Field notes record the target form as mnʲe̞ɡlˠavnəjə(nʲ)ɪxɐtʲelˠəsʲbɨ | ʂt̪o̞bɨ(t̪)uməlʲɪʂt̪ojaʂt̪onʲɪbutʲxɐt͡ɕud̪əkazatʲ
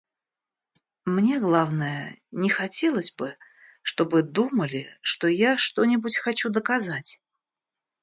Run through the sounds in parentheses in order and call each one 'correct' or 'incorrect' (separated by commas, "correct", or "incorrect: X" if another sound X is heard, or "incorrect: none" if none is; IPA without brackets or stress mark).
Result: correct, incorrect: d̪